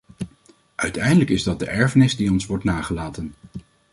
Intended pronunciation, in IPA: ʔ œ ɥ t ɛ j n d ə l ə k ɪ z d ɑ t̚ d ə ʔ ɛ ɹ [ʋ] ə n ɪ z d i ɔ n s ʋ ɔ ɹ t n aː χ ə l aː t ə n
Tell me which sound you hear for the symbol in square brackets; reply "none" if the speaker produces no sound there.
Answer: v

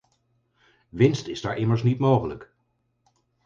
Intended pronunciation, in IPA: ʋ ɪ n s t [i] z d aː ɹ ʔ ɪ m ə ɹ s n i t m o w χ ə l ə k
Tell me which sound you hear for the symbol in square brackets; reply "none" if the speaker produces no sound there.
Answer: ɪ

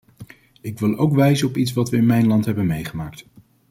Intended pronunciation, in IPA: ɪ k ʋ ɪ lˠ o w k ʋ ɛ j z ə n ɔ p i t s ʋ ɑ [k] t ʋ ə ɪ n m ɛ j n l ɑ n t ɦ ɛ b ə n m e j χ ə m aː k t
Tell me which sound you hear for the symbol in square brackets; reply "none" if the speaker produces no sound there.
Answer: none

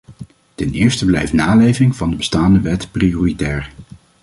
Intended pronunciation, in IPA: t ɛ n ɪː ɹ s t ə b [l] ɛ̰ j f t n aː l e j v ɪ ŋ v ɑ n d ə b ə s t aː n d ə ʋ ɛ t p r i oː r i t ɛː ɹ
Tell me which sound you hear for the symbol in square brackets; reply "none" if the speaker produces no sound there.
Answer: l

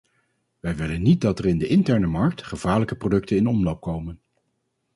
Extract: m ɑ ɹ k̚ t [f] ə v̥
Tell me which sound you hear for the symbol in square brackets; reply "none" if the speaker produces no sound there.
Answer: χ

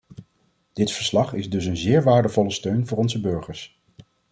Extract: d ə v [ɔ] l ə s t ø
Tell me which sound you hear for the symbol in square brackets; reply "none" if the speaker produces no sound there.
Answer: ɔ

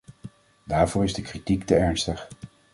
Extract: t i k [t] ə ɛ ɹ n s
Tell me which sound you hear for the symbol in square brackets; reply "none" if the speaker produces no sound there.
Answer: t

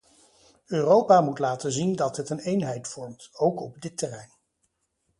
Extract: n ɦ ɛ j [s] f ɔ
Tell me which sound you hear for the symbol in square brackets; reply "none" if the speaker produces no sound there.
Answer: t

